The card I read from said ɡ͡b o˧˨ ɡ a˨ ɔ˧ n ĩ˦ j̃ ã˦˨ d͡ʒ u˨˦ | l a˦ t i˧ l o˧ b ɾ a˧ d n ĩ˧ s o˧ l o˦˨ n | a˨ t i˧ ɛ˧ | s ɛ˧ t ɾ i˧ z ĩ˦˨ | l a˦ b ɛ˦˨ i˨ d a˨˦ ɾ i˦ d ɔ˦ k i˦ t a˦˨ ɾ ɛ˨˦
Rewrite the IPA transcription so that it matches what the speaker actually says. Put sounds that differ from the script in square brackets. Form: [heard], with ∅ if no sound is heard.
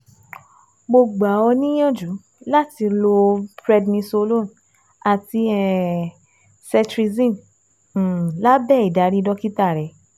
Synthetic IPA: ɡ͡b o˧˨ [ɡ͡b] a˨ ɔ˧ n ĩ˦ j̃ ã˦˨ d͡ʒ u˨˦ | l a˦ t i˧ l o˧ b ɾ [ɛ˧] d n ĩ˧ s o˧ l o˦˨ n | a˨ t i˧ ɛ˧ | s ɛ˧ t ɾ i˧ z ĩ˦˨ | l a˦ b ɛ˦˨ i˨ d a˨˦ ɾ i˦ d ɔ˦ k i˦ t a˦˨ ɾ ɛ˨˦